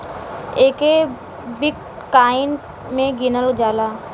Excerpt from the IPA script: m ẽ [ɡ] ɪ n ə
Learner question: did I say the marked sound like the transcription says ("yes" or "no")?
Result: yes